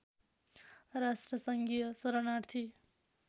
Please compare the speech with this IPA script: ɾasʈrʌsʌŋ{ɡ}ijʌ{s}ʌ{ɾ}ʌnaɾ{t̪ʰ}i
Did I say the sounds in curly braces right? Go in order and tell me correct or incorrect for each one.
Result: correct, correct, correct, correct

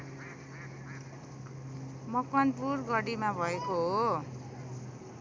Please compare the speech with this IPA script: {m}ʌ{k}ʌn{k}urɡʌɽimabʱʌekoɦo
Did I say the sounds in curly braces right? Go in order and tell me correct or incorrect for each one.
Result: correct, correct, incorrect

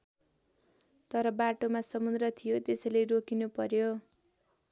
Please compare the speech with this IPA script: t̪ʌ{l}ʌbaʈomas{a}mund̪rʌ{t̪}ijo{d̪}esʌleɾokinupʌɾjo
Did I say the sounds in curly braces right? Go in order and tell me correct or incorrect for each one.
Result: incorrect, incorrect, incorrect, incorrect

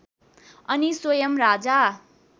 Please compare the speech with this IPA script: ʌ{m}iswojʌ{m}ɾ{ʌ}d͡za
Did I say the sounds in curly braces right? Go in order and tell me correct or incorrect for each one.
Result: incorrect, correct, incorrect

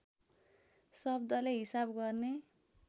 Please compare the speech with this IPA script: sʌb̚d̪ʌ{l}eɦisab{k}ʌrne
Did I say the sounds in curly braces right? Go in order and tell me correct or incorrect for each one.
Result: correct, incorrect

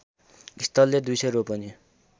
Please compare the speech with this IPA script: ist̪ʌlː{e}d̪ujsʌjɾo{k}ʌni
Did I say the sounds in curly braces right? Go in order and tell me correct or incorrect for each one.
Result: correct, incorrect

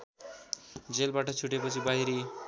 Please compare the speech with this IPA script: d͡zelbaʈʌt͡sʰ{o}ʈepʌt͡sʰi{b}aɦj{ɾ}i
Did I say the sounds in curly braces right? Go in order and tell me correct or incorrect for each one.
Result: incorrect, correct, correct

